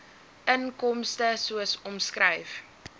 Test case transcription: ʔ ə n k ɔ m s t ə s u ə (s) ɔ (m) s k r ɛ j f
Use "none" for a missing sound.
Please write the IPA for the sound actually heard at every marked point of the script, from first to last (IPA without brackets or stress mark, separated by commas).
s, m